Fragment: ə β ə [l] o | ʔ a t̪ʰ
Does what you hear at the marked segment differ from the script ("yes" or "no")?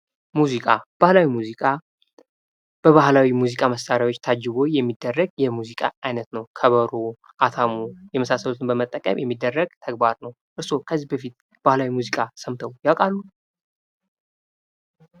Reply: yes